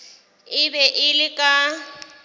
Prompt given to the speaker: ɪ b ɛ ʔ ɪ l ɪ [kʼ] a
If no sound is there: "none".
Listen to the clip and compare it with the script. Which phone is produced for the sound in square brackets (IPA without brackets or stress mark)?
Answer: kʼ